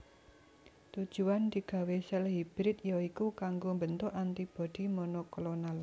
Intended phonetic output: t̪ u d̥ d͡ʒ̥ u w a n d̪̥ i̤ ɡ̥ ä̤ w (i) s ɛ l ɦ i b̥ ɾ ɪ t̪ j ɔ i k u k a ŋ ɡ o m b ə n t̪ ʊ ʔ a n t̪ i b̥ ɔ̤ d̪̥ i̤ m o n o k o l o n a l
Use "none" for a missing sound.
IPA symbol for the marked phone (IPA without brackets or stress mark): e